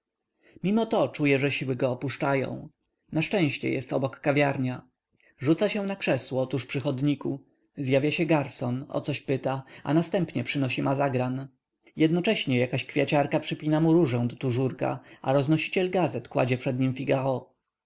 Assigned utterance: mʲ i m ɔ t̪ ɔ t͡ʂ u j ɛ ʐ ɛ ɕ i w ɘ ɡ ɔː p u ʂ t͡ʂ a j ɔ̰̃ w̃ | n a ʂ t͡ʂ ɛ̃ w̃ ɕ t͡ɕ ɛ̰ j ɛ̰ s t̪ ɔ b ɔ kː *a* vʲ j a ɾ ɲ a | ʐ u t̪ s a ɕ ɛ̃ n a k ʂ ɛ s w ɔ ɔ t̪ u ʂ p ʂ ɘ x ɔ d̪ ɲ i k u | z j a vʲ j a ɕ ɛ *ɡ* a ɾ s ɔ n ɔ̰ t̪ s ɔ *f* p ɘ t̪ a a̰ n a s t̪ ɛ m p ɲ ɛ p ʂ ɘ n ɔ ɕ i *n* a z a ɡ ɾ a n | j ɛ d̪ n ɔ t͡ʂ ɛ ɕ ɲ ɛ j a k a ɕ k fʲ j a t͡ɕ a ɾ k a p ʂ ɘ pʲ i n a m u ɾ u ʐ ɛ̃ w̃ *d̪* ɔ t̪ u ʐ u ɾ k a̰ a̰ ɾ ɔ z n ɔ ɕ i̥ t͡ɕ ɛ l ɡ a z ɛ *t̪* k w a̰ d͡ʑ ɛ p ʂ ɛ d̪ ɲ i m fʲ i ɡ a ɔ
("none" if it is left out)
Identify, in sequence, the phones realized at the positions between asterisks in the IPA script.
a, ɡ, ɕ, m, d̪, t̪

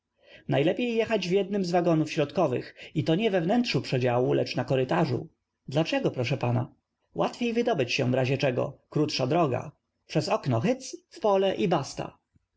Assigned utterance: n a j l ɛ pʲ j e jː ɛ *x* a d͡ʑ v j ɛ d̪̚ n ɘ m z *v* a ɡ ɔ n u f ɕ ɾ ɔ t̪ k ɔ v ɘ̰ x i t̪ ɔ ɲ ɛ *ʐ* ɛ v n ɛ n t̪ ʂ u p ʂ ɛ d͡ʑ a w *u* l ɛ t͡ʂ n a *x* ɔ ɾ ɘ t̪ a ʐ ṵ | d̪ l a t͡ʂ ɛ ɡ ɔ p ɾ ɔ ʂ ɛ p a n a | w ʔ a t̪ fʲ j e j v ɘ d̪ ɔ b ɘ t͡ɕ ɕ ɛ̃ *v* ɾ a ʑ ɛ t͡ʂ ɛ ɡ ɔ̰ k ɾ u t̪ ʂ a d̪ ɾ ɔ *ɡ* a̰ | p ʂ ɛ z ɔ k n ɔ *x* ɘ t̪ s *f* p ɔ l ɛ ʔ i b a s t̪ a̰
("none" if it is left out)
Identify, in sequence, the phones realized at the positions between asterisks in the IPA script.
x, v, v, u, k, v, ɡ, x, f

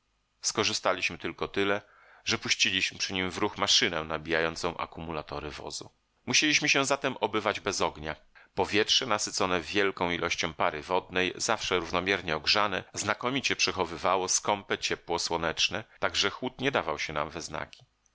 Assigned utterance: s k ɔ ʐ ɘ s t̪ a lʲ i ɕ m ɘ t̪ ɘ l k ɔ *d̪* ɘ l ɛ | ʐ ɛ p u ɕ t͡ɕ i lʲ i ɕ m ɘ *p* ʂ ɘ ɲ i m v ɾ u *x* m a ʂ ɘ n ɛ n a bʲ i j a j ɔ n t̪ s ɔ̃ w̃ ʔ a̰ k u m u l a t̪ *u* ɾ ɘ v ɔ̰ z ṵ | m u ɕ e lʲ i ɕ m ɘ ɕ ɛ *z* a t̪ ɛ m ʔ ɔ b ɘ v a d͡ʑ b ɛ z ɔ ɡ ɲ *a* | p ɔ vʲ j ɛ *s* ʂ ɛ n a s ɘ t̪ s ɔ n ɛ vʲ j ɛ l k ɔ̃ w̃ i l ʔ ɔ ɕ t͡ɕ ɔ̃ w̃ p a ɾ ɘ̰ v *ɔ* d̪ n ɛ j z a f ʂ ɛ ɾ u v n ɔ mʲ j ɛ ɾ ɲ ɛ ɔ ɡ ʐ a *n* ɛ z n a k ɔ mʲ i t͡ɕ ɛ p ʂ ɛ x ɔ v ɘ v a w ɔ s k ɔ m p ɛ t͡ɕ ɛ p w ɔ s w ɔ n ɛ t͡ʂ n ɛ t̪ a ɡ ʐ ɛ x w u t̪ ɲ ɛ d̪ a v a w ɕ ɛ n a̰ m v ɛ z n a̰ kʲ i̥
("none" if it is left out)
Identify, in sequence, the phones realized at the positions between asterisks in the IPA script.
t̪, p, x, ɔ, z, a, t, ɔ, n

